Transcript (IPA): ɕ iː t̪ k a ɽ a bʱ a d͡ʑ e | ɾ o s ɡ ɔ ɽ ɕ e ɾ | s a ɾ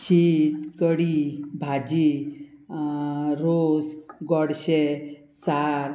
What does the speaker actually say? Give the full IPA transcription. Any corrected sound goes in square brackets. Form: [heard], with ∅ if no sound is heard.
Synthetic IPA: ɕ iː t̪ k [ə] ɽ [i] bʱ a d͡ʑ [i] | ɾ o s ɡ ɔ ɽ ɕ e [∅] | s a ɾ